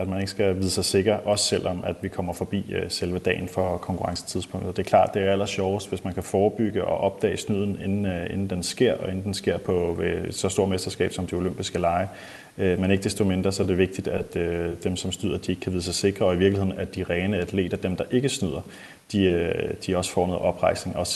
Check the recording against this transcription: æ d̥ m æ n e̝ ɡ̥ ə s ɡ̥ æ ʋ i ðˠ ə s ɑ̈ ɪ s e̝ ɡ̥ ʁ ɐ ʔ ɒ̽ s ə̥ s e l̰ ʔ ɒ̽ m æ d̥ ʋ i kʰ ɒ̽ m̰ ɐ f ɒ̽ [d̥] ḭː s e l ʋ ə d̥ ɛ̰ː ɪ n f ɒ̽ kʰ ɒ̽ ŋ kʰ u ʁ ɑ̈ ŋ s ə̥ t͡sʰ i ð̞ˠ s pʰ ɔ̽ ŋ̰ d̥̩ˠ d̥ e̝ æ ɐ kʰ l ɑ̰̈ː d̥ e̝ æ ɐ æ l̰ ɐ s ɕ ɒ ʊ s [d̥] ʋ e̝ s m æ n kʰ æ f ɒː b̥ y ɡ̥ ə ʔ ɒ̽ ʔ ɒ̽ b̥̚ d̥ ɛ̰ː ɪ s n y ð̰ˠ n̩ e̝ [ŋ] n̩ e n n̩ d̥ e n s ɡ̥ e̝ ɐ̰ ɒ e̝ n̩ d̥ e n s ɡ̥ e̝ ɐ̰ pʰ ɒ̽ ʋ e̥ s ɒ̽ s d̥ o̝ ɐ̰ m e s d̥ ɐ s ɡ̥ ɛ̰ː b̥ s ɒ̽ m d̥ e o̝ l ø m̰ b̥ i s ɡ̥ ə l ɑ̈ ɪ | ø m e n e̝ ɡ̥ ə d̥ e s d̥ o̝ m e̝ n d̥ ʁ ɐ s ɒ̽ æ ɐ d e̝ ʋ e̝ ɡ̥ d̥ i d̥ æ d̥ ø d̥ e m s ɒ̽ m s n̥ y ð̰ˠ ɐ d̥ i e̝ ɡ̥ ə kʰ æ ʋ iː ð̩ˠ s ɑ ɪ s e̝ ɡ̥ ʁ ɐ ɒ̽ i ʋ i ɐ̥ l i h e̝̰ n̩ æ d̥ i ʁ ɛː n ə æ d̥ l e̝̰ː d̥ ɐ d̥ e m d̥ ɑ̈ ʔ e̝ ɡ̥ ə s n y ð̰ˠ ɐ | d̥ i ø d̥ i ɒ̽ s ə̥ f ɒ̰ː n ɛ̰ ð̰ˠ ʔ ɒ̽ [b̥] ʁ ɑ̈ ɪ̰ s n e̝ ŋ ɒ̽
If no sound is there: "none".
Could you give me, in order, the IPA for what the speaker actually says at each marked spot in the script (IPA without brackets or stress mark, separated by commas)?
b̥, d̥, n, b̥